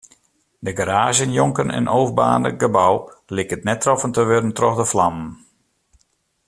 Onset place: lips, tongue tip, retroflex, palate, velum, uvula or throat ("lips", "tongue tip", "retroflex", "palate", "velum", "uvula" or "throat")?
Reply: tongue tip